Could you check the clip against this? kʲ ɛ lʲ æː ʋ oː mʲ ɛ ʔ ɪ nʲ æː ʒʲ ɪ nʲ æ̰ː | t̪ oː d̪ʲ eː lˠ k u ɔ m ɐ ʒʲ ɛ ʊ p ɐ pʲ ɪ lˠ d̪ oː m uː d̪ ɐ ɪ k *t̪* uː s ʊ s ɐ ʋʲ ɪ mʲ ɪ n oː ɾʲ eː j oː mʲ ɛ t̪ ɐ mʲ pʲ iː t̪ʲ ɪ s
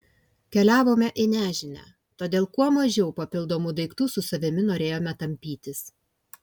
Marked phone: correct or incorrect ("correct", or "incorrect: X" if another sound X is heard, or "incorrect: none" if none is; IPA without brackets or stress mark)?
correct